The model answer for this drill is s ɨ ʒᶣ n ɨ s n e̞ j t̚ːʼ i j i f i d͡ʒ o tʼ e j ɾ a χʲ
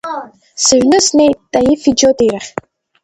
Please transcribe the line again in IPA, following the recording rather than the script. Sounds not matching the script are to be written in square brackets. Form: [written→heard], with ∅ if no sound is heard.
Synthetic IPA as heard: s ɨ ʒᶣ n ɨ s n e̞ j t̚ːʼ [i→a] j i f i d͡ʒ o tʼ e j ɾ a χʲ